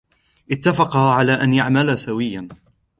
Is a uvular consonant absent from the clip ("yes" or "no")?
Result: no